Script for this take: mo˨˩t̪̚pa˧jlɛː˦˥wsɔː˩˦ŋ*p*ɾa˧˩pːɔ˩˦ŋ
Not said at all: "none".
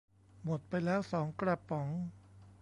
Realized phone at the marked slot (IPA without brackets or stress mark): k